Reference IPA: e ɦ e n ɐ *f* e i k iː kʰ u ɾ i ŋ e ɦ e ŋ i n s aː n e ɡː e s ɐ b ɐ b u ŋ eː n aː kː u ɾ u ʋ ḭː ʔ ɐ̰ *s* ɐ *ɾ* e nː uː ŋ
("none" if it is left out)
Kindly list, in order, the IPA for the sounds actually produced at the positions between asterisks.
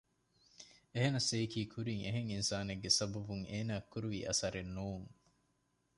s, s, ɾ

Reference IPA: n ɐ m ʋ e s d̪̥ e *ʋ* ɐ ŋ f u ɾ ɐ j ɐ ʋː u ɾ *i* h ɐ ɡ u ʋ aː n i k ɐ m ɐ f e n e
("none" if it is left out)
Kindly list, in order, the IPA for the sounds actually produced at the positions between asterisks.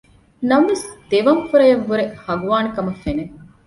ʋ, e

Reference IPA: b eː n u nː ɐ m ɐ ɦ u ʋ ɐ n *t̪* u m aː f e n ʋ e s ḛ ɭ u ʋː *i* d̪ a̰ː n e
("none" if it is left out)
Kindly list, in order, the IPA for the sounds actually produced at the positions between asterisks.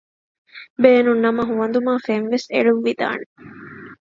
d̪, i

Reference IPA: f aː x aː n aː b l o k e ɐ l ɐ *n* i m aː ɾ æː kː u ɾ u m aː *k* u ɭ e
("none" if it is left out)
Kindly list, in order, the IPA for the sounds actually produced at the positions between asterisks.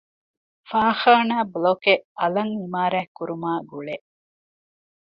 ŋ, ɡ

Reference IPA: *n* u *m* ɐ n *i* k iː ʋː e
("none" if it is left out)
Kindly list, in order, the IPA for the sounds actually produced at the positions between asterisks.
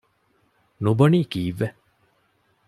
n, b, iː

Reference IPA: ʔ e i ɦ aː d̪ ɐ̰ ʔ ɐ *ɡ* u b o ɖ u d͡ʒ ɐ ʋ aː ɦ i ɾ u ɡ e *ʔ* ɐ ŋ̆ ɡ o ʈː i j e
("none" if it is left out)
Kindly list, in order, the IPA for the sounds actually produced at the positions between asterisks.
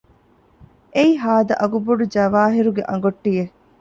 ɡ, ʔ

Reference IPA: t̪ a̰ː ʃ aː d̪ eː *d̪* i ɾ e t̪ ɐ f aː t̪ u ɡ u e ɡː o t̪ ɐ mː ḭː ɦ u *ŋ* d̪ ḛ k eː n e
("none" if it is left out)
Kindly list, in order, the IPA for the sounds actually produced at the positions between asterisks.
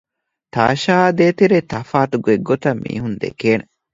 t̪, n

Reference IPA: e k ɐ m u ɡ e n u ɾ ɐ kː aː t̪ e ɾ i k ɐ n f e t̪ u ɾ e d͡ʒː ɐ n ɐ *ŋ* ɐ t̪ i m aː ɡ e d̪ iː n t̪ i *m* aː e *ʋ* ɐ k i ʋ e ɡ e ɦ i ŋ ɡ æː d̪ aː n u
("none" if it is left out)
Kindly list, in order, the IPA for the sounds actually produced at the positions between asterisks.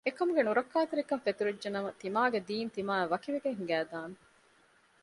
m, m, ʋ

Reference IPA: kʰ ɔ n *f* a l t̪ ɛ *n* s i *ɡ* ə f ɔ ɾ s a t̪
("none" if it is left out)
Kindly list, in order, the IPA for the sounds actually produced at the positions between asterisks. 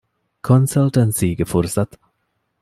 s, n, ɡ

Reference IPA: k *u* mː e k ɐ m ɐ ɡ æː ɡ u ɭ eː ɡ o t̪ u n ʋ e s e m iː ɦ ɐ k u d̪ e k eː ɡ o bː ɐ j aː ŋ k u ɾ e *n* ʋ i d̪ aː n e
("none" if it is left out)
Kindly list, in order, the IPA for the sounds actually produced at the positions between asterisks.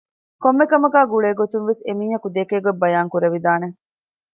o, none

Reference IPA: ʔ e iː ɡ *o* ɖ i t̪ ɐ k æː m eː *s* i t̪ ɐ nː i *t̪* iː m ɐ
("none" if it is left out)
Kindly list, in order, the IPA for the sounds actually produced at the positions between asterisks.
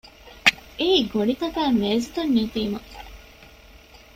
o, z, t̪

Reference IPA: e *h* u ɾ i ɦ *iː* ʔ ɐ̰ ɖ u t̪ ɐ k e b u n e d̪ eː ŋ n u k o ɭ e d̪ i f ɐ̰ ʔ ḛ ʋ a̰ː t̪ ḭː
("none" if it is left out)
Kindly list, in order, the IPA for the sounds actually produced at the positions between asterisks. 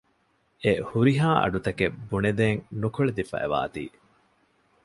h, aː

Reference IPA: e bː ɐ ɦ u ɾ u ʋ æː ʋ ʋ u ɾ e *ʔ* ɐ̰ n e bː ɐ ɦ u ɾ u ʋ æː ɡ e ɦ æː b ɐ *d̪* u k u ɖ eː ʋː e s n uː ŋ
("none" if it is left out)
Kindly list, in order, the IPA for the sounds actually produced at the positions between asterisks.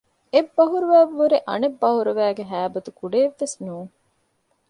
ʔ, t̪

